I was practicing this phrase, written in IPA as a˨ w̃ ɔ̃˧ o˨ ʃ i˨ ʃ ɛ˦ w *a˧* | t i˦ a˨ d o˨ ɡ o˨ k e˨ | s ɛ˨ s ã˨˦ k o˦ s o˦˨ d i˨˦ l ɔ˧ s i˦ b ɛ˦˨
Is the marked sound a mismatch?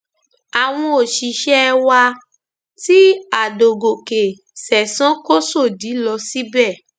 no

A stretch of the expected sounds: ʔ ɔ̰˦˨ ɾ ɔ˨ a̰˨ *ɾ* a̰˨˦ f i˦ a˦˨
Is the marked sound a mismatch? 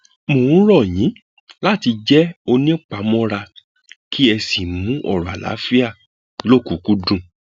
yes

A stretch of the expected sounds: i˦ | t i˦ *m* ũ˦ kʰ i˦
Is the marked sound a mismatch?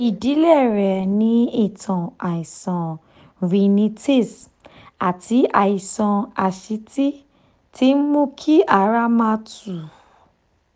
no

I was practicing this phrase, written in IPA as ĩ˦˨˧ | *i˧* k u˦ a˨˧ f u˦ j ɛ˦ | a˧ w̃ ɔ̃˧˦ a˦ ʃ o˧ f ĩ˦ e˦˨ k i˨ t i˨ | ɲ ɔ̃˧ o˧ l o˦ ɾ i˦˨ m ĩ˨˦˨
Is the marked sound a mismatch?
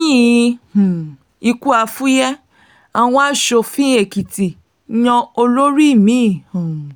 no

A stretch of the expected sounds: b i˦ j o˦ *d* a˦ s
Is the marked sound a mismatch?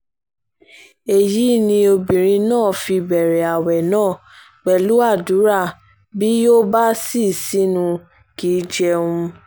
yes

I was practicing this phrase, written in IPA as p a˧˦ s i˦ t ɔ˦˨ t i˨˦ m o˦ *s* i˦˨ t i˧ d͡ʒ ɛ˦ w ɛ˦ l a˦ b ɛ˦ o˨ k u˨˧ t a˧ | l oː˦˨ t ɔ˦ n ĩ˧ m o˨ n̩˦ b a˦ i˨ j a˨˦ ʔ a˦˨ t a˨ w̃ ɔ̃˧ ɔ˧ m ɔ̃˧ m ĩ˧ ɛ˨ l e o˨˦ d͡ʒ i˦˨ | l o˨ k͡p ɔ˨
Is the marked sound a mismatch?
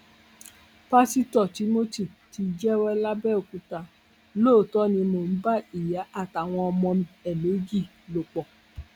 yes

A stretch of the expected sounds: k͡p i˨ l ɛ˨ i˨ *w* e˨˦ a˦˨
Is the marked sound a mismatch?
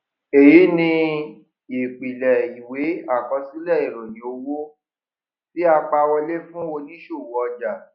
no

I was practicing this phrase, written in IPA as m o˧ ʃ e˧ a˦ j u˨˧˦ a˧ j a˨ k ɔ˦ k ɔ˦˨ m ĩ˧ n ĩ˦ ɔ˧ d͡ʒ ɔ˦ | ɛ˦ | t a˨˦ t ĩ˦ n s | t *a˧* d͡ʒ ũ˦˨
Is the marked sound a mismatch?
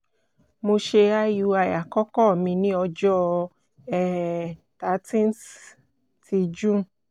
yes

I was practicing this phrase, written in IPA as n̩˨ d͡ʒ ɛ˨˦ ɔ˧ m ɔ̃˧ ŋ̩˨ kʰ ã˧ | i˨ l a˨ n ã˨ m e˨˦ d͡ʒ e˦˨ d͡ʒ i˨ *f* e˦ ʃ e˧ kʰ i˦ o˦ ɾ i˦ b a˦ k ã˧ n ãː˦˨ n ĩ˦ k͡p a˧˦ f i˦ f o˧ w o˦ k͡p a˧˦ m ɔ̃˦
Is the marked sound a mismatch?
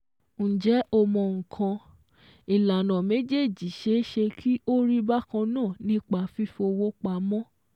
yes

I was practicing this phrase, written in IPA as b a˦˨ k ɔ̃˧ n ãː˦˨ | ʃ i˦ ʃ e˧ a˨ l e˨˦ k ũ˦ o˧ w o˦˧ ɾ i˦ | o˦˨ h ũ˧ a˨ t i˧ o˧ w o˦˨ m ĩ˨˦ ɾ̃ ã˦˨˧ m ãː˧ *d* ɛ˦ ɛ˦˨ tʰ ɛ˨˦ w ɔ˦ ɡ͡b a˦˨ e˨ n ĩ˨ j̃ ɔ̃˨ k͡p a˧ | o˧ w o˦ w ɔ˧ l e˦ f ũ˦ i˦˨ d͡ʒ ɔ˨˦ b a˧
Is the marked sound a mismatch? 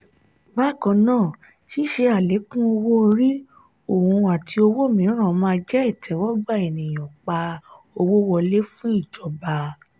yes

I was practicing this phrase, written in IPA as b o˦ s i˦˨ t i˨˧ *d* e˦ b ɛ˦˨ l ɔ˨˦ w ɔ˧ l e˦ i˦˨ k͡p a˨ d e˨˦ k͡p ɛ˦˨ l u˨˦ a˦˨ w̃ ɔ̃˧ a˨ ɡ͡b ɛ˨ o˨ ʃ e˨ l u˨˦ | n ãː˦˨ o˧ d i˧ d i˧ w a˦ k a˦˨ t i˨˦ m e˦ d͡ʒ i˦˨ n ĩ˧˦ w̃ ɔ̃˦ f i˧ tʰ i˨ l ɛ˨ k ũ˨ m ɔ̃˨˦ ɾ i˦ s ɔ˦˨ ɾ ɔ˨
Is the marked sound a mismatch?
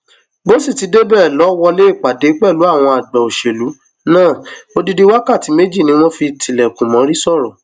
no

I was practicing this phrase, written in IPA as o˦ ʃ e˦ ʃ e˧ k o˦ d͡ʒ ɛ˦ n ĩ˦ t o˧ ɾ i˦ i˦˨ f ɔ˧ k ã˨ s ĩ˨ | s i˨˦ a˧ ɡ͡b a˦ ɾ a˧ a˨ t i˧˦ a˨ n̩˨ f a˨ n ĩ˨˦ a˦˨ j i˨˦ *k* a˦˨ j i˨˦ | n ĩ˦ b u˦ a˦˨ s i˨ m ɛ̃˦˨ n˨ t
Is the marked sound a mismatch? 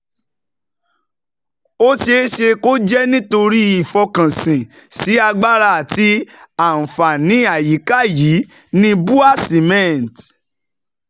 no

